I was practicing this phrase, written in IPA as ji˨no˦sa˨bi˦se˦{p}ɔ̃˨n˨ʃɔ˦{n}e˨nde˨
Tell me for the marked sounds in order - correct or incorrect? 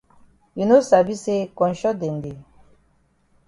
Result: incorrect: k, incorrect: d

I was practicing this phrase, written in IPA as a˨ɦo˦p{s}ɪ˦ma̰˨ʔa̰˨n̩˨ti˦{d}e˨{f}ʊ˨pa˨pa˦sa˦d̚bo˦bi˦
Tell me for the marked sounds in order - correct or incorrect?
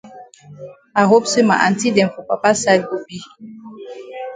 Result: correct, correct, correct

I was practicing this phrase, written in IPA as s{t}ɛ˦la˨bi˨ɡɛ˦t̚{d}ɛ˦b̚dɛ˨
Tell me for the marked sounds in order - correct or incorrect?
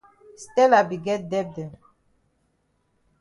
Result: correct, correct

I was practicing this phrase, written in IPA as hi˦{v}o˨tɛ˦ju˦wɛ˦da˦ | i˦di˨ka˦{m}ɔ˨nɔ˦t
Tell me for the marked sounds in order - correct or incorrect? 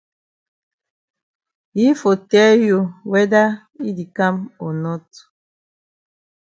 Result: incorrect: f, correct

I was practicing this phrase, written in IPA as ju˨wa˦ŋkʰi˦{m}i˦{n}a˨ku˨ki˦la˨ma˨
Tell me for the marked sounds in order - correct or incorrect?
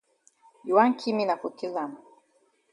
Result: correct, correct

